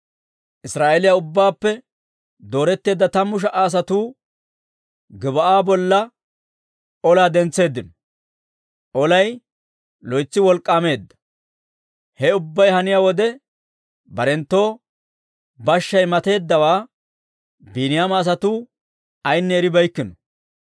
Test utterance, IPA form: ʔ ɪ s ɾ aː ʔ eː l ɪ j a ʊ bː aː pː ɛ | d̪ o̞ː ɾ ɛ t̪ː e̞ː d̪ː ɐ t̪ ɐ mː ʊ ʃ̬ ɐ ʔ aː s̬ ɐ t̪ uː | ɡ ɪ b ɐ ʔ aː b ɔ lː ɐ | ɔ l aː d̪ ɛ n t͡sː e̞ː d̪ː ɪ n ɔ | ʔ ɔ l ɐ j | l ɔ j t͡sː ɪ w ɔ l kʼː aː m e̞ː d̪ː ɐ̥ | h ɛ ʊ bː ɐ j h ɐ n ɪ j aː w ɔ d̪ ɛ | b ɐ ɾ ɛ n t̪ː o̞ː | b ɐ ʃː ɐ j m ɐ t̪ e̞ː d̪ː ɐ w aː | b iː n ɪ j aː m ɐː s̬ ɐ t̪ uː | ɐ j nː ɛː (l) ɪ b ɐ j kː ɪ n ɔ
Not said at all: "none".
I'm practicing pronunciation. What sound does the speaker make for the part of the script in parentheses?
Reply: ɾ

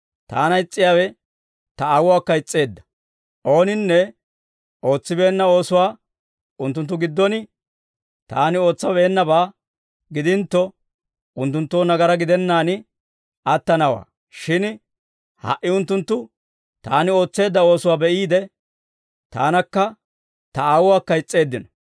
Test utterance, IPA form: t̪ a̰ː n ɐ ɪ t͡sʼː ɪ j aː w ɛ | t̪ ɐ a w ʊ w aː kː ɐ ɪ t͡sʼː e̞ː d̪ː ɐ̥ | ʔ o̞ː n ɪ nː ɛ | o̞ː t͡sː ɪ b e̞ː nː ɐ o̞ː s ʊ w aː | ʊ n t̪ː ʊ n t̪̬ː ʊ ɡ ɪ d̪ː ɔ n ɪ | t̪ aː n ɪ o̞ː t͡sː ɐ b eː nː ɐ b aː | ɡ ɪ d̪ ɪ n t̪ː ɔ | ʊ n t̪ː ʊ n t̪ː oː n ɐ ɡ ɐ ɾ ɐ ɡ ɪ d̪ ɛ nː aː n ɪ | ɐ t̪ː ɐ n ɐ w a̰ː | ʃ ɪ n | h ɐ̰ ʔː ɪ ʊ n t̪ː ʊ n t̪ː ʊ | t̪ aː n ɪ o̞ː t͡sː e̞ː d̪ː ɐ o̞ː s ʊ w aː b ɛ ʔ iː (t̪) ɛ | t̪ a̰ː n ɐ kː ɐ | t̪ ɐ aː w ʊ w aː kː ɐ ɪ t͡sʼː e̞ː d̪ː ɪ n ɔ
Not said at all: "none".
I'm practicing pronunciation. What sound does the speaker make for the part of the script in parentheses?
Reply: d̪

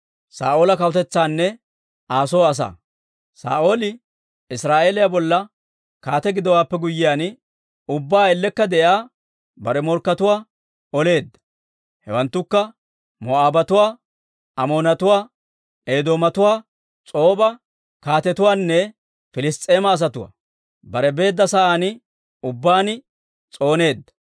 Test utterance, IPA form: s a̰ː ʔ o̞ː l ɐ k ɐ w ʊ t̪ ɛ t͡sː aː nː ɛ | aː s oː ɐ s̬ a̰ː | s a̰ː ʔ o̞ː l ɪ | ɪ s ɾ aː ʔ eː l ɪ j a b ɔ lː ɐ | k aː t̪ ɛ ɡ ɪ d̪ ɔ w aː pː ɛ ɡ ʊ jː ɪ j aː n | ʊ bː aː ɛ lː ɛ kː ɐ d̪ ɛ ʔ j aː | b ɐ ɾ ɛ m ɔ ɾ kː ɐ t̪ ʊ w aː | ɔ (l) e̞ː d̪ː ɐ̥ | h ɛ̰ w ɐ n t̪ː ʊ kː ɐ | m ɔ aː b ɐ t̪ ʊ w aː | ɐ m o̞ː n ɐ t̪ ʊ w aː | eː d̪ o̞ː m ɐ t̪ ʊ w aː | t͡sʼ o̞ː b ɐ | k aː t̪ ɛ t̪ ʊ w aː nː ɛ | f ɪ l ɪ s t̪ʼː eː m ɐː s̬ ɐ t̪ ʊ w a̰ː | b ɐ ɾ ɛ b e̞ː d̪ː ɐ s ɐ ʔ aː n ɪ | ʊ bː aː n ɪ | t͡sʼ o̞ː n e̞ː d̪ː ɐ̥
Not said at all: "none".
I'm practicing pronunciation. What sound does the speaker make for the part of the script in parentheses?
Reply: l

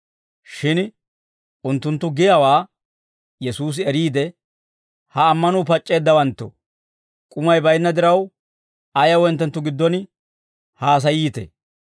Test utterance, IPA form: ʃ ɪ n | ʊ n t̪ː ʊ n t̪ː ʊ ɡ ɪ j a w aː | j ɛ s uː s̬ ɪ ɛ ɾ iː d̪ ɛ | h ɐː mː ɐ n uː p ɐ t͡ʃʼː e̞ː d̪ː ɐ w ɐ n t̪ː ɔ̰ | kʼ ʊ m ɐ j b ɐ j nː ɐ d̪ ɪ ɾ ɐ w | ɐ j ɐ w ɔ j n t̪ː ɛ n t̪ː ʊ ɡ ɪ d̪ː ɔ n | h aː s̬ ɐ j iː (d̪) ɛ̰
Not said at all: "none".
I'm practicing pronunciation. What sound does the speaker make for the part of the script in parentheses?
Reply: t̪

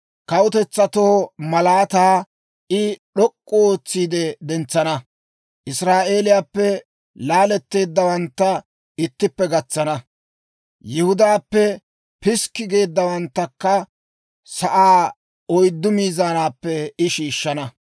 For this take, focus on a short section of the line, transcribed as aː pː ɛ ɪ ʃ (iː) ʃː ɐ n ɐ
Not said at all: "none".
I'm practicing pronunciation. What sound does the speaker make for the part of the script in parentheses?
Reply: iː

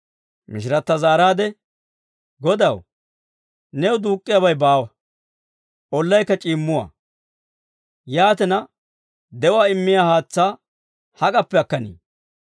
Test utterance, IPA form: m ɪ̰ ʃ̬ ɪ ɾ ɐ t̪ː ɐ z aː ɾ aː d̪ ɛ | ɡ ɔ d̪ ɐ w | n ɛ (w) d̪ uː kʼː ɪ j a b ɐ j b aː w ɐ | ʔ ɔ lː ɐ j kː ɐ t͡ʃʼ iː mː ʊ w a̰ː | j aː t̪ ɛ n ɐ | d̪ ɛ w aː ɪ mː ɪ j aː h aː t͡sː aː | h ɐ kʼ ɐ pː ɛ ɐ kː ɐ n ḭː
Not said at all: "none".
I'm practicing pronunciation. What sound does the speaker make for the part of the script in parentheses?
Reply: w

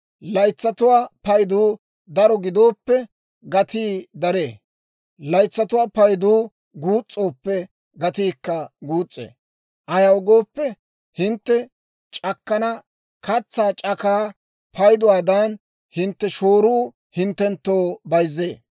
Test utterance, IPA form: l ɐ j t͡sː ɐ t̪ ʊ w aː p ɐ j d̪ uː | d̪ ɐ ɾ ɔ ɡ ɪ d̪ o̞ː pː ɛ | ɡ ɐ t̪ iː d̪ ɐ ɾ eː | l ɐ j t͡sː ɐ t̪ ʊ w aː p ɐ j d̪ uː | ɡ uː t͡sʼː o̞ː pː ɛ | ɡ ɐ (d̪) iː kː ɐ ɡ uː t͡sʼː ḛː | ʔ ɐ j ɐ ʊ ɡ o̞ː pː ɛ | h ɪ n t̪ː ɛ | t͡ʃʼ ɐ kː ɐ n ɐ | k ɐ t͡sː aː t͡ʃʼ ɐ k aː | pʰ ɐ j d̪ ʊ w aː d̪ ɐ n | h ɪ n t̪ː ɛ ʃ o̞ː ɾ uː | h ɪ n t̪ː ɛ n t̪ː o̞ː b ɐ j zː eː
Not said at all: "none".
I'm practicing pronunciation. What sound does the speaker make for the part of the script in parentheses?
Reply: t̪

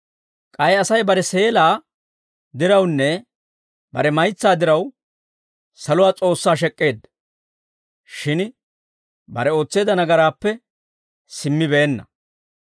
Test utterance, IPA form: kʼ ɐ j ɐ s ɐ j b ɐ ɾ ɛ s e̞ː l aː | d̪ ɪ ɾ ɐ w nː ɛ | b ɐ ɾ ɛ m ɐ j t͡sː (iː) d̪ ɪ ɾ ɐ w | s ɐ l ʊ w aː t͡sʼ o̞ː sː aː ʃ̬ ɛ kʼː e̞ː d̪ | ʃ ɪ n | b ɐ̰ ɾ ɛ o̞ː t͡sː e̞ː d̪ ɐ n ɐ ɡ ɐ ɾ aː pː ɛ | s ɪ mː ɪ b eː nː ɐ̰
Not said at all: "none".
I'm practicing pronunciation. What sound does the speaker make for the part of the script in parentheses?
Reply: aː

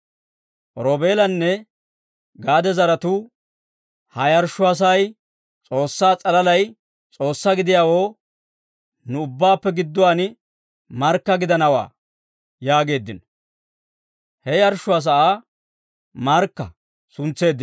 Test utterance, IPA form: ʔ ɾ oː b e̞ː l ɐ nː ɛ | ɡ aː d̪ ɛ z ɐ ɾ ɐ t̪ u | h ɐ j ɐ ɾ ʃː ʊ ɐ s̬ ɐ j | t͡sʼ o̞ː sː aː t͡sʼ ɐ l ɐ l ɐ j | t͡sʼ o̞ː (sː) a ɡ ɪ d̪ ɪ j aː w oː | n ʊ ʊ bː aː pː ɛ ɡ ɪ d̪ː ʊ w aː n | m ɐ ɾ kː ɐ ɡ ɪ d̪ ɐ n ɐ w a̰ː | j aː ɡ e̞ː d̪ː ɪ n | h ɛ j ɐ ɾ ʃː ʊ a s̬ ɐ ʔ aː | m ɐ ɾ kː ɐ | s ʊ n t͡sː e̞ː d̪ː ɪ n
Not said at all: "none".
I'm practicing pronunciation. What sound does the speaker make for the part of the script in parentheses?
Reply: sː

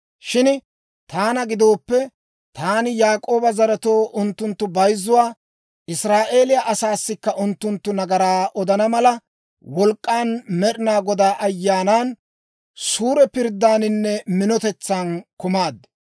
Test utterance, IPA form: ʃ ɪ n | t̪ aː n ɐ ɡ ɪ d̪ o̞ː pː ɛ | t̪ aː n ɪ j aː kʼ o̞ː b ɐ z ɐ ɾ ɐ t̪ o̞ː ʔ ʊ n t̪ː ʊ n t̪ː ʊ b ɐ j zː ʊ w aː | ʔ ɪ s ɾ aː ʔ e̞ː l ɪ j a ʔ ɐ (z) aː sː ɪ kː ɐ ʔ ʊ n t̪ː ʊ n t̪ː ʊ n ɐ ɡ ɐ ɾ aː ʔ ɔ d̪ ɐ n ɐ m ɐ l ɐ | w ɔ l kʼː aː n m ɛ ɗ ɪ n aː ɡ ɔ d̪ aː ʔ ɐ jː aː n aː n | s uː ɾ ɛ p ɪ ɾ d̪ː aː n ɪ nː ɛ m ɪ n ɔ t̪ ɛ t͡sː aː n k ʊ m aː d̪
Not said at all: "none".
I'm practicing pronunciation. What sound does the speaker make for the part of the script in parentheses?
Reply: s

